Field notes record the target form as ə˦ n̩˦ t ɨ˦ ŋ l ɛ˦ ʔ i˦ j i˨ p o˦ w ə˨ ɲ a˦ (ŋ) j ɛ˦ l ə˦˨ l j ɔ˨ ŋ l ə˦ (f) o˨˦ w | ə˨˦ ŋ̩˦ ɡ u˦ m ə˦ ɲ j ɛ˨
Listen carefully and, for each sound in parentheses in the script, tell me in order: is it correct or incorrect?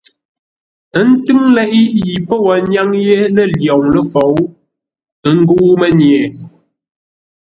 correct, correct

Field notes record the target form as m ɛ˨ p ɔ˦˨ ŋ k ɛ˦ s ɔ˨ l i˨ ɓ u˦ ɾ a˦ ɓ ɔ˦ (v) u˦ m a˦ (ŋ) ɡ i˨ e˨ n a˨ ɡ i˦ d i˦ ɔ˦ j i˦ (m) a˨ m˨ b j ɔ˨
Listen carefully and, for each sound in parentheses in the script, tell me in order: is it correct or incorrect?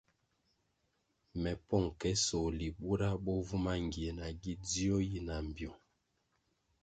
correct, correct, incorrect

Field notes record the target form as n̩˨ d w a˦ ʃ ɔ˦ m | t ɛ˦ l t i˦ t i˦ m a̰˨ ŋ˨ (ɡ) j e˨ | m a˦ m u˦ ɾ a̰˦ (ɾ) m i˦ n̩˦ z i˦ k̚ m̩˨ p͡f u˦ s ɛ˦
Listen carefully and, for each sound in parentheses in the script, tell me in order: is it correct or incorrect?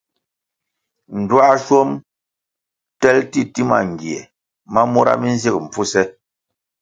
correct, incorrect

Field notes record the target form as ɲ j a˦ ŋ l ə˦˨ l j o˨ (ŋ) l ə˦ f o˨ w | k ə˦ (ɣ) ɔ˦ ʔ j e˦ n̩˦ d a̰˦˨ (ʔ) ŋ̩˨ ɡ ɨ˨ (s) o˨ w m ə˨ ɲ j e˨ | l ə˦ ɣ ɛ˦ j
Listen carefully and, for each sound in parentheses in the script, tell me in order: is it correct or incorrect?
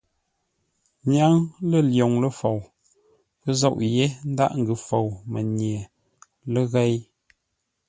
correct, incorrect, correct, incorrect

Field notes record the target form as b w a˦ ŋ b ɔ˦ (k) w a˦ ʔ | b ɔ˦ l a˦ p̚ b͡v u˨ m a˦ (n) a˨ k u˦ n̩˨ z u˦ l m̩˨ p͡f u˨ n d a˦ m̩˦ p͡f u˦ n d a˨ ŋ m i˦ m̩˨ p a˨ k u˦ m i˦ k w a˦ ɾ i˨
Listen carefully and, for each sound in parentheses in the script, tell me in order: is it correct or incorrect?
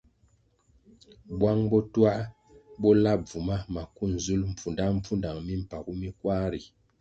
incorrect, incorrect

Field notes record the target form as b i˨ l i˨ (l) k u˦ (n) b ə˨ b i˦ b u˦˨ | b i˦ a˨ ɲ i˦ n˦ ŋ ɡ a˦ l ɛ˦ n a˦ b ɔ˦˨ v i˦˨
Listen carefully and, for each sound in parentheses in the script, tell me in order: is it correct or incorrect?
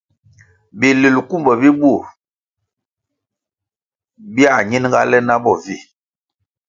correct, incorrect

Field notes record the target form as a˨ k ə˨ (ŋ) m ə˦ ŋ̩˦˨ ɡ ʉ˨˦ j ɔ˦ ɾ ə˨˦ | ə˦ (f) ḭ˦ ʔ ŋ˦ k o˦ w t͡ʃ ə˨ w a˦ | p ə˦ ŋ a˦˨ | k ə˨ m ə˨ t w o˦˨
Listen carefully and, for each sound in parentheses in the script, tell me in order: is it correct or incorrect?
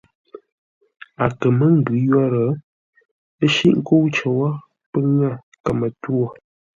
incorrect, incorrect

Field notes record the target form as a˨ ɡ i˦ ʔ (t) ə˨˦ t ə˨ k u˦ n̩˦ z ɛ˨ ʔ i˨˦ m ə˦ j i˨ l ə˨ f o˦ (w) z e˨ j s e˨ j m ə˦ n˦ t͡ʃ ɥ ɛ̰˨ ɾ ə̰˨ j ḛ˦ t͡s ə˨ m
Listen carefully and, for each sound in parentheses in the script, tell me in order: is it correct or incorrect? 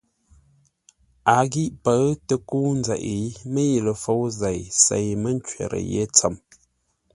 incorrect, correct

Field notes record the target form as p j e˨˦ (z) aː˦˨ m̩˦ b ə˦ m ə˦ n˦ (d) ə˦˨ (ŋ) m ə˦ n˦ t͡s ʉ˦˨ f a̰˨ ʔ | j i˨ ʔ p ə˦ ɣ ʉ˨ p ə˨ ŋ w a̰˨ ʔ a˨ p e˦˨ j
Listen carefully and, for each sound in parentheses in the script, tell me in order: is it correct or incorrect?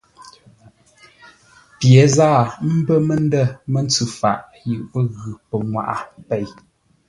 correct, correct, incorrect

